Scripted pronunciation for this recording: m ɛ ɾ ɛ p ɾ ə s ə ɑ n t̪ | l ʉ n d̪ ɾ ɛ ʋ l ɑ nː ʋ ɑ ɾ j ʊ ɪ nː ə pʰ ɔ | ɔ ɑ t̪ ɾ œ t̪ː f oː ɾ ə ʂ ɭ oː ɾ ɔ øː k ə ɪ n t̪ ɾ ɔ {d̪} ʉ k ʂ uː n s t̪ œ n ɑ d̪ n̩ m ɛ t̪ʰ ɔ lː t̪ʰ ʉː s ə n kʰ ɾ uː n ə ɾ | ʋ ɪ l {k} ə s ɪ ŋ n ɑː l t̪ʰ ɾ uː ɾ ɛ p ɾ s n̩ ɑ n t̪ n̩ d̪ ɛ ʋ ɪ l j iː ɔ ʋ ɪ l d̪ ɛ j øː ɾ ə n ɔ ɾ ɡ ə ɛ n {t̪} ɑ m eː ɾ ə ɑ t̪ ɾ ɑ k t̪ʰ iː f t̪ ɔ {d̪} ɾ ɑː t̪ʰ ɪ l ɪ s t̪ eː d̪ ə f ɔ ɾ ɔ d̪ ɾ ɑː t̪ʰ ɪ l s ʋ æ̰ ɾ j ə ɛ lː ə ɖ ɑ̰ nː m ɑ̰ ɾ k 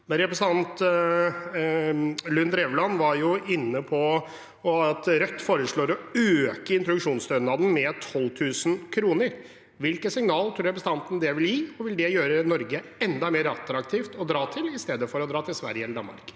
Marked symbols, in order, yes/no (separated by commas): yes, yes, no, yes